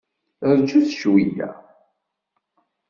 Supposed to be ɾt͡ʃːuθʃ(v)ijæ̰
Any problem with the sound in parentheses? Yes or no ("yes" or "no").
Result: yes